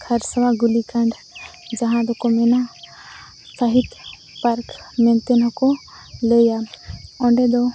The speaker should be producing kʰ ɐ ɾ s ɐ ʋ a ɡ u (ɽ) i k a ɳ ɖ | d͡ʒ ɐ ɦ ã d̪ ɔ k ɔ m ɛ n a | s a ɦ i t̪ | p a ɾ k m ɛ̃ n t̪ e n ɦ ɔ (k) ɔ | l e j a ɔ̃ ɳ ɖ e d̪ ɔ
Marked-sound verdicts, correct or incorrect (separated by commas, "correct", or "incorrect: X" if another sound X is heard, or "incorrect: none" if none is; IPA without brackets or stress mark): incorrect: l, correct